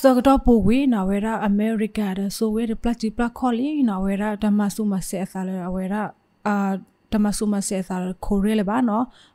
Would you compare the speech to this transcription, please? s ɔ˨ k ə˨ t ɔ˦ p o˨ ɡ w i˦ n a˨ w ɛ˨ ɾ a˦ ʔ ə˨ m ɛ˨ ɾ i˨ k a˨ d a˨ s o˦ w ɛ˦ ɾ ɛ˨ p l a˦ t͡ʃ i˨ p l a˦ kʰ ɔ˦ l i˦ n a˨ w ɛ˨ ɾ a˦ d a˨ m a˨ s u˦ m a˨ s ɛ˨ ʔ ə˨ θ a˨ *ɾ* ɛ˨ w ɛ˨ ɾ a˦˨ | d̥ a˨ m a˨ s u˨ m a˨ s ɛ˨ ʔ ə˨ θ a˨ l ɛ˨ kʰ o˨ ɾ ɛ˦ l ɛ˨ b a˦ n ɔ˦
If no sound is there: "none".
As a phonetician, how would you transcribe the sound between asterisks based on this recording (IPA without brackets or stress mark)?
l